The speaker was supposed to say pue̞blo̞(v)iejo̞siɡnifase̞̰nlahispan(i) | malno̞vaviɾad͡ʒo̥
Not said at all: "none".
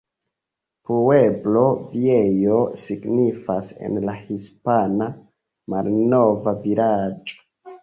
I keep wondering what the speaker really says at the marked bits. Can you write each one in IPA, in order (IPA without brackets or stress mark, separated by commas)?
v, a